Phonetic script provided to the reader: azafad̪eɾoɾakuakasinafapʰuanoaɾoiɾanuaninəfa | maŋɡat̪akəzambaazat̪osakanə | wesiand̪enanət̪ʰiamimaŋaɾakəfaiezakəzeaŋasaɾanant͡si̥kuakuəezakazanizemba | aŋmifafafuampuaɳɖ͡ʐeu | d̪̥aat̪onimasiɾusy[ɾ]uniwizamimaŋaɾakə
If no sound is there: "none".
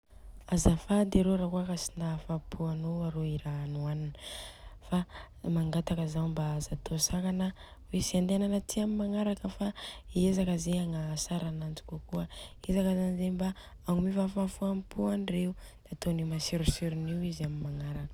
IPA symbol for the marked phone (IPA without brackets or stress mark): ɾ